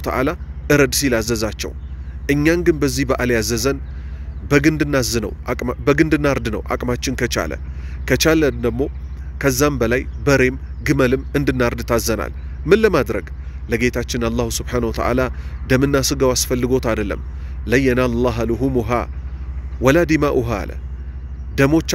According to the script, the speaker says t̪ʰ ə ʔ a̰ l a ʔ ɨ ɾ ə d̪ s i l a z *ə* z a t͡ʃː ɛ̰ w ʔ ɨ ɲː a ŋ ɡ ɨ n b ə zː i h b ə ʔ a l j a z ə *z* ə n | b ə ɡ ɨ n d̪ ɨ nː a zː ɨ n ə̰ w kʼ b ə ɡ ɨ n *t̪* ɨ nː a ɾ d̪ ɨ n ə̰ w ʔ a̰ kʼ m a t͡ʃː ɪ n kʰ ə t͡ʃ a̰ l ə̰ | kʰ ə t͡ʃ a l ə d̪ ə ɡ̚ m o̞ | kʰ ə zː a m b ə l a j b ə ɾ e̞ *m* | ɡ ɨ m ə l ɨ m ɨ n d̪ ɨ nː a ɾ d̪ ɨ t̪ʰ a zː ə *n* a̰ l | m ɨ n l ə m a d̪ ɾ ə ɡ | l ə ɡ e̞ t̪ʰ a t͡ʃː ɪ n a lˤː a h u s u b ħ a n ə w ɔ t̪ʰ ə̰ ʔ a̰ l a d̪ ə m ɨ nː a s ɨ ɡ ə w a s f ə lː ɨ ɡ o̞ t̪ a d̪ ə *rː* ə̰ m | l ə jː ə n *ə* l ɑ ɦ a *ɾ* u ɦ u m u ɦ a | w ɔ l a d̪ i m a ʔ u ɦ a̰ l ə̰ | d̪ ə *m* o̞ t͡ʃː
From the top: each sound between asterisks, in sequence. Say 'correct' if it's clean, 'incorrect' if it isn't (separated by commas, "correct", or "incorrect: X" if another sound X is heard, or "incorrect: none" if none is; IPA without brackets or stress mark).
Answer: correct, correct, incorrect: d̪, correct, correct, incorrect: lː, incorrect: a, incorrect: l, correct